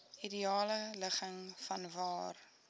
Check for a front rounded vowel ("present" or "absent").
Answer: absent